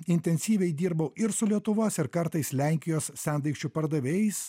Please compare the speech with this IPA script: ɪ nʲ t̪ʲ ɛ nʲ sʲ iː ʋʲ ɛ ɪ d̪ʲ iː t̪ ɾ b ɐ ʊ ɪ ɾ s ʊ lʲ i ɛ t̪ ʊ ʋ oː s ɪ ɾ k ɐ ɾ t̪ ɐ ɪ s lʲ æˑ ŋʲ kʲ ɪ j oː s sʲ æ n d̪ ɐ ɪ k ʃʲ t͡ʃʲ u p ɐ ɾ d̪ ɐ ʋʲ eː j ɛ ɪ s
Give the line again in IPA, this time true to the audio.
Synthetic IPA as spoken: ɪ nʲ t̪ʲ ɛ nʲ sʲ iː ʋʲ ɛ ɪ d̪ʲ iː ɾ b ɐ ʊ ɪ ɾ s ʊ lʲ i ɛ t̪ ʊ ʋ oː s ɪ ɾ k ɐ ɾ t̪ ɐ ɪ s lʲ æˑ ŋʲ kʲ ɪ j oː s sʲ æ n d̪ ɐ ɪ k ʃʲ t͡ʃʲ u p ɐ ɾ d̪ ɐ ʋʲ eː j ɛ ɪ s